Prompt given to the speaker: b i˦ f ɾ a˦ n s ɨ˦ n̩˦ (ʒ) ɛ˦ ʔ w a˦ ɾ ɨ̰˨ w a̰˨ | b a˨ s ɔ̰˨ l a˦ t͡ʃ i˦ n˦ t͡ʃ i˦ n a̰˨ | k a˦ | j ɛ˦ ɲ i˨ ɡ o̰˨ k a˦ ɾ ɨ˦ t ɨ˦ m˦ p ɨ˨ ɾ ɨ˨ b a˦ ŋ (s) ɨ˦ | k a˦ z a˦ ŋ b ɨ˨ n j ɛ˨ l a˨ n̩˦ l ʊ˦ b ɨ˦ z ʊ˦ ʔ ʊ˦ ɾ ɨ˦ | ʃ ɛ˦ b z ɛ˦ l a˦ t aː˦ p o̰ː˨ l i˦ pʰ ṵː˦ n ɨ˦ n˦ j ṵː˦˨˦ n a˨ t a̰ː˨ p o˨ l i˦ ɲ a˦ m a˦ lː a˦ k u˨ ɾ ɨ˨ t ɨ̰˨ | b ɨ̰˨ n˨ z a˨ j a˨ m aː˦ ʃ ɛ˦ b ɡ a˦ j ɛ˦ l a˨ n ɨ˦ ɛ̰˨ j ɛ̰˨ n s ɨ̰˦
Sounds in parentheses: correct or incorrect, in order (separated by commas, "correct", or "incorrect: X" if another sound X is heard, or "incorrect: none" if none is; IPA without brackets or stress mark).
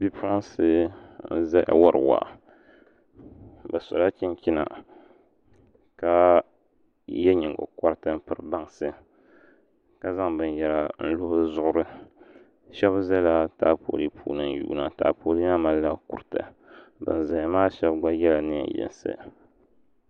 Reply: incorrect: z, correct